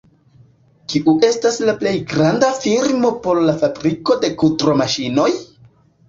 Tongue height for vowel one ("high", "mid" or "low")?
high